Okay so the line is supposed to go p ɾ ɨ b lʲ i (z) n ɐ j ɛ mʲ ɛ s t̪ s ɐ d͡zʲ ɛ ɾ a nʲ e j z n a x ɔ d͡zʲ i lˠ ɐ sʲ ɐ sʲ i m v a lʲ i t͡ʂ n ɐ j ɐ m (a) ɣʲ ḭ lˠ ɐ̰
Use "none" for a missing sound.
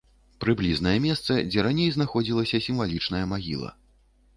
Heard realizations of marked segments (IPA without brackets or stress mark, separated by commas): z, a